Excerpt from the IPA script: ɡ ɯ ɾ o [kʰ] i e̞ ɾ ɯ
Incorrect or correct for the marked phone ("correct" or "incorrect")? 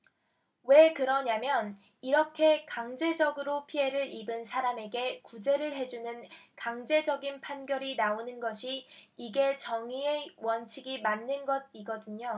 incorrect